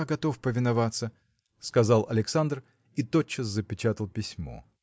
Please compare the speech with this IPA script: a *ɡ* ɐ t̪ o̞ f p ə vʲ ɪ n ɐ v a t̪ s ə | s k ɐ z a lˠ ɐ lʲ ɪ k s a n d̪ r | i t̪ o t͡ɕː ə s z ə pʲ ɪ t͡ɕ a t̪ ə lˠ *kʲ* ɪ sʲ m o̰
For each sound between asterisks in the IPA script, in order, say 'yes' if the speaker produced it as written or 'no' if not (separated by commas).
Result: yes, no